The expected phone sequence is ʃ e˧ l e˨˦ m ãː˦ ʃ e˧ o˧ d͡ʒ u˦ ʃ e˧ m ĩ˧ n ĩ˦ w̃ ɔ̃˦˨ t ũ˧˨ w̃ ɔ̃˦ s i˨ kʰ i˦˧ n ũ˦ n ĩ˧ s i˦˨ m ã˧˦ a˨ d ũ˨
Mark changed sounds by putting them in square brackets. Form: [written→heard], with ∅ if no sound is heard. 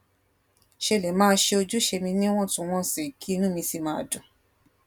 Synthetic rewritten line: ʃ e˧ l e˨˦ m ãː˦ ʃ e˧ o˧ d͡ʒ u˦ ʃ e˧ m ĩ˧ n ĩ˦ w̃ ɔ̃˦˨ t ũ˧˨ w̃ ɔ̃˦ s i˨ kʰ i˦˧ n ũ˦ [n→m] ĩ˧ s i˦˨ m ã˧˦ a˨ d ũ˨